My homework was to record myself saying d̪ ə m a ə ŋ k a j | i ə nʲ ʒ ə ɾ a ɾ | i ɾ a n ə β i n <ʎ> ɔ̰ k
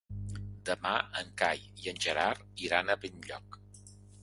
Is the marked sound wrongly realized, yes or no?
no